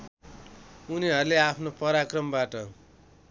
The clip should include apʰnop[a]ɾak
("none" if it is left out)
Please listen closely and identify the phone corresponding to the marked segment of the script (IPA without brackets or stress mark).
ʌ